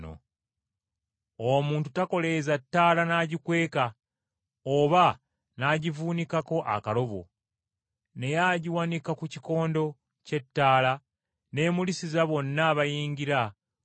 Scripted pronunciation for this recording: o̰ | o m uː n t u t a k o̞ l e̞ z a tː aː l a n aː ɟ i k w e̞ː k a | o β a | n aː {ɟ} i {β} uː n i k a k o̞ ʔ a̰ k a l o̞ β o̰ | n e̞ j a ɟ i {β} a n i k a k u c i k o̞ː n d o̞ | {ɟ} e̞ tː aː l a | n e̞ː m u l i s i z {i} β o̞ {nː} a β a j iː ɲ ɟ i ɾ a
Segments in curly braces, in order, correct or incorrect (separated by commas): correct, incorrect, incorrect, incorrect, incorrect, correct